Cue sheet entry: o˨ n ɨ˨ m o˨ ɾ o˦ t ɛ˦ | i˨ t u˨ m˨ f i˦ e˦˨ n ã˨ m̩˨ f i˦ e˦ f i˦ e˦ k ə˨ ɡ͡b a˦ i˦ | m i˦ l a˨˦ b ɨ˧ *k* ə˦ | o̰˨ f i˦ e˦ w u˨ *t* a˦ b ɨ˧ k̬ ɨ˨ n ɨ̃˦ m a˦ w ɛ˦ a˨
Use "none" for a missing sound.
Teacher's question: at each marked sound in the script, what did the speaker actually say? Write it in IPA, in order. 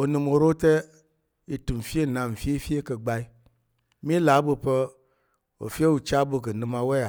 p, t͡ʃ

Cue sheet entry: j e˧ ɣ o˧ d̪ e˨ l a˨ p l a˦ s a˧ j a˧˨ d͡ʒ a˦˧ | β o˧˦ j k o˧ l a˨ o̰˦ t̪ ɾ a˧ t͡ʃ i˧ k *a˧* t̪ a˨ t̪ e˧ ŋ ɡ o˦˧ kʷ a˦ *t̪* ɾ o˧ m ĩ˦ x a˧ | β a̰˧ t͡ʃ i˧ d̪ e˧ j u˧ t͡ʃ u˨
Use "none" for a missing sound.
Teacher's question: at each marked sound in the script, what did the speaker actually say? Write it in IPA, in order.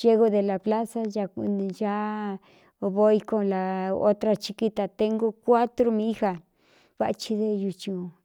i˧, t̪

